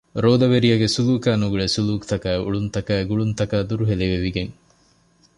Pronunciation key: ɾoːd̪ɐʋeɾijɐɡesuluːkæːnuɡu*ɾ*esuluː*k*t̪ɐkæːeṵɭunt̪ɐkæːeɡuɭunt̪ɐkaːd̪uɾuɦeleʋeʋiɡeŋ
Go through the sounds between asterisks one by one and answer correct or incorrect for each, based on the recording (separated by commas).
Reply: incorrect, correct